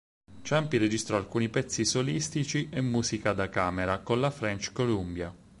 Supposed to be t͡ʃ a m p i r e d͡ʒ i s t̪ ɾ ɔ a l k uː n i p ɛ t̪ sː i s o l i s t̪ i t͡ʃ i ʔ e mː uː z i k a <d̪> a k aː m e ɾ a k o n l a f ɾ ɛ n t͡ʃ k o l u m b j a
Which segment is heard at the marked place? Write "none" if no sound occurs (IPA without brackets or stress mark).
d̪